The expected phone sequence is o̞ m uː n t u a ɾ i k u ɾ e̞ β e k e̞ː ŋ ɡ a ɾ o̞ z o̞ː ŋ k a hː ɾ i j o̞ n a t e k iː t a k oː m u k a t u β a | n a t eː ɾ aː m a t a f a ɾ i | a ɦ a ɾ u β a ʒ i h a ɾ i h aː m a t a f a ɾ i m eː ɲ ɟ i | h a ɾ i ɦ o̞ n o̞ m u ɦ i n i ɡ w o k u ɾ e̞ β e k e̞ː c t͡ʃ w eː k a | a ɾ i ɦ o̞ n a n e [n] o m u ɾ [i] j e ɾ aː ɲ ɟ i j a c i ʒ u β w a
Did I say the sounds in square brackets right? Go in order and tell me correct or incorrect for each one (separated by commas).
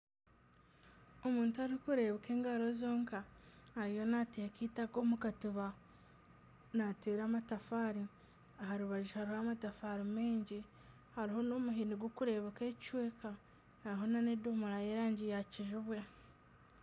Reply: incorrect, incorrect